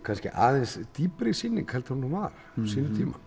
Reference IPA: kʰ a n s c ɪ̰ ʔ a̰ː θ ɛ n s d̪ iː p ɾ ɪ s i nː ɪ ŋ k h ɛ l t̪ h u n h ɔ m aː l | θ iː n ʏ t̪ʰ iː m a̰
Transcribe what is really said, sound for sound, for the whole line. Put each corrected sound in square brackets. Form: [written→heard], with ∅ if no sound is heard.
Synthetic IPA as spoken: kʰ a n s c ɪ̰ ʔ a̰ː [θ→ð] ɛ n s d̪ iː p ɾ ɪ s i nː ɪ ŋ k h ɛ l t̪ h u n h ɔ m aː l | [θ→s] iː n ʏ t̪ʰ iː m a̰